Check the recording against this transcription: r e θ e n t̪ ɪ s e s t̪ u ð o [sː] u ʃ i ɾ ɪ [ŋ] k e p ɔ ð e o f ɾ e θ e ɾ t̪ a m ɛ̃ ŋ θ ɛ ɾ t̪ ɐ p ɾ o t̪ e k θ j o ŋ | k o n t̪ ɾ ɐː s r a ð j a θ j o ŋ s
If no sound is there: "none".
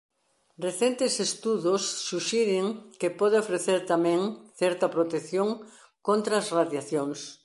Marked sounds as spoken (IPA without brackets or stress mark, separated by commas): sː, ŋ